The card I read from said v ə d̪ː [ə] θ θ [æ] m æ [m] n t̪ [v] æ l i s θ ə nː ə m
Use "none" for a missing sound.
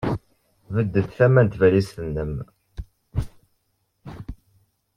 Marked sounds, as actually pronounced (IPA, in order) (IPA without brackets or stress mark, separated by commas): ə, æ, none, v